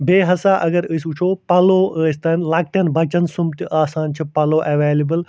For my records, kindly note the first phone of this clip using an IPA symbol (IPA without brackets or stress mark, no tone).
b